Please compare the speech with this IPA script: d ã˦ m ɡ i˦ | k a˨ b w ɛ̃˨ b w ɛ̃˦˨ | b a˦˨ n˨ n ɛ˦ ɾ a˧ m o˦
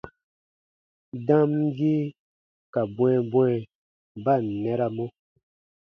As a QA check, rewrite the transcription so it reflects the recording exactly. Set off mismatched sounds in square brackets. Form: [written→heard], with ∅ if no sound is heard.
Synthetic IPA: d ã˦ m ɡ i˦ | k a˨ b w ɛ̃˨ b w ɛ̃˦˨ | b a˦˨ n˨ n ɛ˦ ɾ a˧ m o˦

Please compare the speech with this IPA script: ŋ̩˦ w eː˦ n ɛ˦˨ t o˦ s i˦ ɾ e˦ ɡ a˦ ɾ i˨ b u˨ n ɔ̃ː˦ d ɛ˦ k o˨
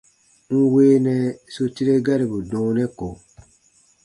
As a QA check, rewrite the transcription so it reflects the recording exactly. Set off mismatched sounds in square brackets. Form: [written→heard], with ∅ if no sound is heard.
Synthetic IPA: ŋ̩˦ w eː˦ n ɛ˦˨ [t→s] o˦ [s→t] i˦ ɾ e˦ ɡ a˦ ɾ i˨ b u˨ [n→d] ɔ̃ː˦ [d→n] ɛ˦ k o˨

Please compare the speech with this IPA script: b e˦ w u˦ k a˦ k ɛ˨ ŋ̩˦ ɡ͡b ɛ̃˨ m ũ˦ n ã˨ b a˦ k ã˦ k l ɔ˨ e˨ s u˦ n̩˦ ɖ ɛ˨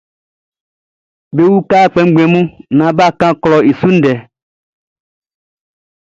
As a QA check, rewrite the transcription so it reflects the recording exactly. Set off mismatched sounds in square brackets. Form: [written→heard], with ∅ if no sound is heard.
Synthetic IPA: b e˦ w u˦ k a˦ [k→k͡p] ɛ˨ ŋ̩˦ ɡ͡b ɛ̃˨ m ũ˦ n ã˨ b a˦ k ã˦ k l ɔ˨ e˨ s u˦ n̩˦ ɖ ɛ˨

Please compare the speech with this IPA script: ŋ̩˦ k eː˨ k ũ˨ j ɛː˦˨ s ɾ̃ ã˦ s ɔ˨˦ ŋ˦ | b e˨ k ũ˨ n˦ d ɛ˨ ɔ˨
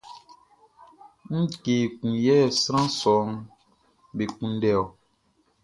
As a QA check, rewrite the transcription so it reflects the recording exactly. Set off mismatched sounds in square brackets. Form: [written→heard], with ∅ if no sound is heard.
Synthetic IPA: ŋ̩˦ k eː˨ k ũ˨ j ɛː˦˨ s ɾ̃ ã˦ s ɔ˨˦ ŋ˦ | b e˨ k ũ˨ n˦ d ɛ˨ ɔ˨

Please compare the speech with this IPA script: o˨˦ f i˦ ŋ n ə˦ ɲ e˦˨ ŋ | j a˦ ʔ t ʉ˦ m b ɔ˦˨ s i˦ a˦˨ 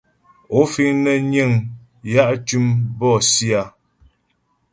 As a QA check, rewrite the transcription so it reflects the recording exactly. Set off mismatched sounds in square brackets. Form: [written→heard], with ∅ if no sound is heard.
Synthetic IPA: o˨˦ f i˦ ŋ n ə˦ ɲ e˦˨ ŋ | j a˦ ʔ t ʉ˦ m b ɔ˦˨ s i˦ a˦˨

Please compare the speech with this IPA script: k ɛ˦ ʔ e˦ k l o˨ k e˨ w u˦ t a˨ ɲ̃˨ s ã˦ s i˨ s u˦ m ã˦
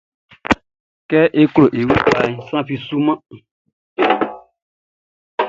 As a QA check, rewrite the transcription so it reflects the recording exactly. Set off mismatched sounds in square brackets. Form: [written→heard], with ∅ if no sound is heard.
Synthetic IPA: k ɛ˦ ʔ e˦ k l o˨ [k→ʔ] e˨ w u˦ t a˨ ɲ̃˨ s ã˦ [s→f] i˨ s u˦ m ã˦

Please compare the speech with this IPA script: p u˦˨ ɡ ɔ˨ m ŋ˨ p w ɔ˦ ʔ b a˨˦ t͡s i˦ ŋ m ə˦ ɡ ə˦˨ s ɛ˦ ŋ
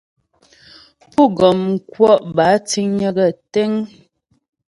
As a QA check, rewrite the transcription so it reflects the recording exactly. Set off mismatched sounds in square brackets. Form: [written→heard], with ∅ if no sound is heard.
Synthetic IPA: p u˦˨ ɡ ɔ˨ m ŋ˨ [p→k] w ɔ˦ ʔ b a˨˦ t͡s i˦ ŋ [m→ɲ] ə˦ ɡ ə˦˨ [s→t] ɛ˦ ŋ

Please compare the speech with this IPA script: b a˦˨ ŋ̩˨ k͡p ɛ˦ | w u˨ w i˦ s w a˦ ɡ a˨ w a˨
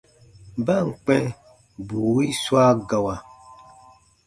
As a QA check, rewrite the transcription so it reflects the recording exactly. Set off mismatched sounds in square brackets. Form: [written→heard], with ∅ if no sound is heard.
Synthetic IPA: b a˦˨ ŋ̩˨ k͡p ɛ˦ | [w→b] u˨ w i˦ s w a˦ ɡ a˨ w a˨

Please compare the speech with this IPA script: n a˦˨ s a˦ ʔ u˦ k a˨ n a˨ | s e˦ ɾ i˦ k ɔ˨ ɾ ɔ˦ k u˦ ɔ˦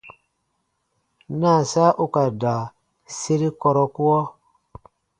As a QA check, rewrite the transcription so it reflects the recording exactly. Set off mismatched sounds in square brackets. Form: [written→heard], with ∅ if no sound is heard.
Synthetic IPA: n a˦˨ s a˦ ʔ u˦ k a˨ [n→d] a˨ | s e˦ ɾ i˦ k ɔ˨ ɾ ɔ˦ k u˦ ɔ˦

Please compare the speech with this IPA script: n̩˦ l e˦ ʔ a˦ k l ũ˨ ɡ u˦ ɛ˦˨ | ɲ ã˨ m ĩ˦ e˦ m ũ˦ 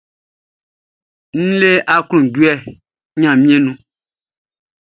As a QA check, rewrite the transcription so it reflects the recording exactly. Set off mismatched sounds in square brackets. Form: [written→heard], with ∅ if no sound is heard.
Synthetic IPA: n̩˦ l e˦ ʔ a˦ k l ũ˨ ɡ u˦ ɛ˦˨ | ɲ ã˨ m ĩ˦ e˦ [m→n] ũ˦

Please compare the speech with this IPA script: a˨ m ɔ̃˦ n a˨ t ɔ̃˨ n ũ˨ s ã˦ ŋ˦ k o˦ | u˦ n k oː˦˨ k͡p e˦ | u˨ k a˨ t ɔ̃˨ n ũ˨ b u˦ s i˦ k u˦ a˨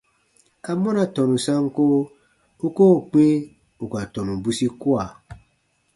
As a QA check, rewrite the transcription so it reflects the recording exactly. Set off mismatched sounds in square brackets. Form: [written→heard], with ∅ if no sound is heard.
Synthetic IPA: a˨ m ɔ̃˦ n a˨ t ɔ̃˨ n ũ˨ s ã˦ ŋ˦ k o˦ | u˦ [n→∅] k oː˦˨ k͡p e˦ | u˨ k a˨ t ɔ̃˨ n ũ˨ b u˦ s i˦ k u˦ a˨

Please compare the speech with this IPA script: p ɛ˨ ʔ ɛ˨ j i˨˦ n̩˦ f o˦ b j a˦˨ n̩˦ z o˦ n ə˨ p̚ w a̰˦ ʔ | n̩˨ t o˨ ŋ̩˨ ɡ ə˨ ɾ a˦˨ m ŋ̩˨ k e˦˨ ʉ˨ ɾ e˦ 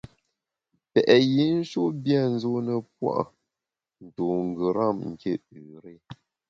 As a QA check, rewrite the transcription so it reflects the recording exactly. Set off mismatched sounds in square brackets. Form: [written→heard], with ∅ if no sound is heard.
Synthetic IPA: p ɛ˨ ʔ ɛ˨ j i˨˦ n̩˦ [f→ʃ] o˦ b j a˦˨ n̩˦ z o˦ n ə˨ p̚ w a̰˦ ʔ | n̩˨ t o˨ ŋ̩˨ ɡ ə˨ ɾ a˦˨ m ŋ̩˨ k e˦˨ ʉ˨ ɾ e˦

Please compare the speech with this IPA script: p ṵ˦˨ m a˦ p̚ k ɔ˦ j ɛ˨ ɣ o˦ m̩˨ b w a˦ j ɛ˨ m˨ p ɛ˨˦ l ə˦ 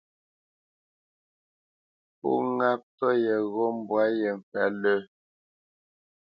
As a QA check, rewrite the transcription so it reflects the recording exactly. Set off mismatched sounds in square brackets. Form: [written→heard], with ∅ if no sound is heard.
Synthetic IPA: p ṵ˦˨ [m→ŋ] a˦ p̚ [k→t] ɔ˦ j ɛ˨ ɣ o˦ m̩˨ b w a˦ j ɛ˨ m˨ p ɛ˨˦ l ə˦

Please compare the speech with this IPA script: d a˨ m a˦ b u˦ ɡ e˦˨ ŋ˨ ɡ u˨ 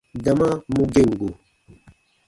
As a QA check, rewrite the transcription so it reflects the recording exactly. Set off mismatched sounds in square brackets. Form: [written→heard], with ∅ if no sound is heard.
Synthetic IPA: d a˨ m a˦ [b→m] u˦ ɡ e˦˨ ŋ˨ ɡ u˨

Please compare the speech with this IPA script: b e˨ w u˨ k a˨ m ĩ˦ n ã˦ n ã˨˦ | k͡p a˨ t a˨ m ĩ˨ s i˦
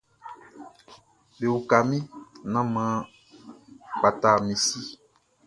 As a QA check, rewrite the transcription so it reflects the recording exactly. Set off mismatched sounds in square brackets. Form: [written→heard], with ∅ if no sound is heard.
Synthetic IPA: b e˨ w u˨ k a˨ m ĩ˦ n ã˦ [n→m] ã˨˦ | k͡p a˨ t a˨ m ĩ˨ s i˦

